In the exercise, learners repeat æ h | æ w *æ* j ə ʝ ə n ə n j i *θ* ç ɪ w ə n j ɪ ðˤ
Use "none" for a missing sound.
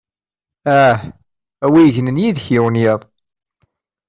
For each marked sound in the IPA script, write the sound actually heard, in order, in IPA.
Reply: i, ð

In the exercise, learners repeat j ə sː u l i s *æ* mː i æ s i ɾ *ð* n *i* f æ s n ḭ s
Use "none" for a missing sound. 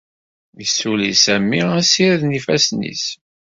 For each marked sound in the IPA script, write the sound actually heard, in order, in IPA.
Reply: æ, ð, i

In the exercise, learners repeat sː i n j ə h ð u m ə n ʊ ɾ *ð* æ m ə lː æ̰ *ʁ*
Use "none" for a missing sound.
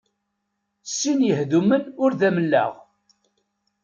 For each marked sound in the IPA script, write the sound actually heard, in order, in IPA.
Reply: ð, ʁ

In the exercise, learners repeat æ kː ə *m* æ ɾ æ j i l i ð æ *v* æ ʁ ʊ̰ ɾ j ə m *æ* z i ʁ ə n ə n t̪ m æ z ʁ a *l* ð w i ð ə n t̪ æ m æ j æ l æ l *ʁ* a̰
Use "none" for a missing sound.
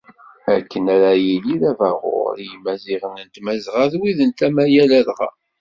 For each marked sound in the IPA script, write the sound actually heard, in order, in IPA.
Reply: n, v, æ, none, ʁ

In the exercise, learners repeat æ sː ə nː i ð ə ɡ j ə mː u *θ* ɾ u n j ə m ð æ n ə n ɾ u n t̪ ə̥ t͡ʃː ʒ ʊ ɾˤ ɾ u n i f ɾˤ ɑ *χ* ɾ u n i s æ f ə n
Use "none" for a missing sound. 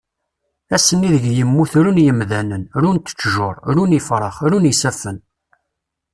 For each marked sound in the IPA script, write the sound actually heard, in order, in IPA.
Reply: θ, χ

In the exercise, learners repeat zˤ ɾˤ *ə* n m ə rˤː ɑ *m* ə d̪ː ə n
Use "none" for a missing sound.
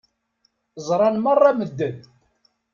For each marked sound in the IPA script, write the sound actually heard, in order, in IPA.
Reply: ɑ, m

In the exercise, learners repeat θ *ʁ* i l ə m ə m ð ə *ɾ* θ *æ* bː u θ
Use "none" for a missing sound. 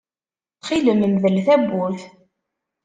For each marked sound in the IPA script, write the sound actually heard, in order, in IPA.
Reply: χ, l, æ

